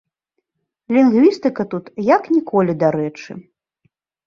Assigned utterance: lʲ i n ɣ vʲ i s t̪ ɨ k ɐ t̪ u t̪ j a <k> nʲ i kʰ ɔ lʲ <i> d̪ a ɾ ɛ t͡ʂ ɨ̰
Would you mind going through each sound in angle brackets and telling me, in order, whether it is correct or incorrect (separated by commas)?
correct, correct